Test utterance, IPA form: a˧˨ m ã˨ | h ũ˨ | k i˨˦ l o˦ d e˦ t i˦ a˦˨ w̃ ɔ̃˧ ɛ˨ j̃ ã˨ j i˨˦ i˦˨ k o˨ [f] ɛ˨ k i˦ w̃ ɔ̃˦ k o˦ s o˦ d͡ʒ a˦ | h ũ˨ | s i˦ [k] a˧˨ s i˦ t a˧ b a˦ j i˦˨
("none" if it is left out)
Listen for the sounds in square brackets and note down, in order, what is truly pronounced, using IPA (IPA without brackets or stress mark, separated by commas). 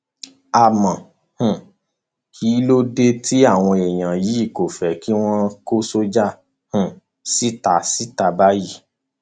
f, t